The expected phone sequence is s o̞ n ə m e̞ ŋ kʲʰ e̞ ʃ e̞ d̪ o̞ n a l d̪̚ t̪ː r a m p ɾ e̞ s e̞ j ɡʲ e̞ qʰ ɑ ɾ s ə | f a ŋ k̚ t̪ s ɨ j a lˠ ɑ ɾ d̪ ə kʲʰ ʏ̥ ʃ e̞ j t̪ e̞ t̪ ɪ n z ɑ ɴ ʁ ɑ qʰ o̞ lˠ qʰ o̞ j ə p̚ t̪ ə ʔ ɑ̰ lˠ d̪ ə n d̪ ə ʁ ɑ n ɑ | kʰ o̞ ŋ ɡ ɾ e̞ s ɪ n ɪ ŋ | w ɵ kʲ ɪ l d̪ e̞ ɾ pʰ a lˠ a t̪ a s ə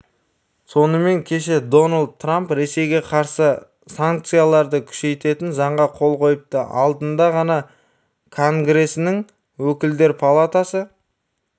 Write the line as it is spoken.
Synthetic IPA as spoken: s o̞ n ə m e̞ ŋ kʲʰ e̞ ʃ e̞ d̪ o̞ n a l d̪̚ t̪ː r a m p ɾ e̞ s e̞ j ɡʲ e̞ qʰ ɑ ɾ s ə | s a ŋ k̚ t̪ s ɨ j a lˠ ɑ ɾ d̪ ə kʲʰ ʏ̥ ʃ e̞ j t̪ e̞ t̪ ɪ n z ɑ ɴ ʁ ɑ qʰ o̞ lˠ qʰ o̞ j ə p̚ t̪ ə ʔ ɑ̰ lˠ d̪ ə n d̪ ɑ ʁ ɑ n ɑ | kʰ o̞ ŋ ɡ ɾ e̞ s ɪ n ɪ ŋ | w ɵ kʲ ɪ l d̪ e̞ ɾ pʰ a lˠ a t̪ a s ə